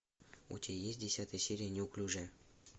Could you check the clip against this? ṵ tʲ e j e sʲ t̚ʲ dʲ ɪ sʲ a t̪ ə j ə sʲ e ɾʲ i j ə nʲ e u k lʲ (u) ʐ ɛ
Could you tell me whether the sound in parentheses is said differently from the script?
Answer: no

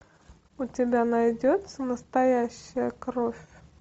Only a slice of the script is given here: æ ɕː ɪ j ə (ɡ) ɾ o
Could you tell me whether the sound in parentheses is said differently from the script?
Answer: yes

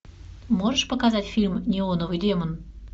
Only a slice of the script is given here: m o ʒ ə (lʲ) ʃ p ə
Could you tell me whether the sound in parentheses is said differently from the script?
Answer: yes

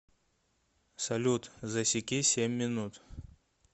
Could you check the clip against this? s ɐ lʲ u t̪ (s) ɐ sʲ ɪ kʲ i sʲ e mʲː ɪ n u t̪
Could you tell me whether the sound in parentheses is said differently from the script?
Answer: yes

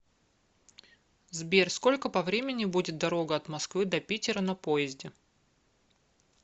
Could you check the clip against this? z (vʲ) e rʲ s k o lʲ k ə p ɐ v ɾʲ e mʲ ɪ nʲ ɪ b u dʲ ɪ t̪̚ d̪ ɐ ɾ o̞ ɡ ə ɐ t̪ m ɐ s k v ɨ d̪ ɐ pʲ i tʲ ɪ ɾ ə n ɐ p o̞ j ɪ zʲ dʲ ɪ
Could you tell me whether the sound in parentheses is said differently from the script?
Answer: yes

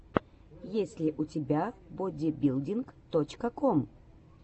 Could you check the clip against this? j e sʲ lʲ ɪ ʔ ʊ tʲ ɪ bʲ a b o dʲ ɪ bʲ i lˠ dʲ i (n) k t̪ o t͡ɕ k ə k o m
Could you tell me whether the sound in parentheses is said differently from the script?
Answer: no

